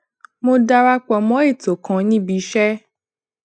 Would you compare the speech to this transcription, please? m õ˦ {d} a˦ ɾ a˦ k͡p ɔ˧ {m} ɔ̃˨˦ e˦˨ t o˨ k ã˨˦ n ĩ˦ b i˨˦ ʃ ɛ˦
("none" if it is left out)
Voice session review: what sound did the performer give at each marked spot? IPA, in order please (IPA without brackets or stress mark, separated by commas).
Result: d, m